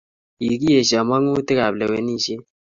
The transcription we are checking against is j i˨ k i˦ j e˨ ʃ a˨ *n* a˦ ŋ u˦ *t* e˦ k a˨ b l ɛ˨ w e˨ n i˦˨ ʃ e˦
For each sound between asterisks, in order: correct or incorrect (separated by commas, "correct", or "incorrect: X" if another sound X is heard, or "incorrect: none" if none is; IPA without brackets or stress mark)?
incorrect: m, correct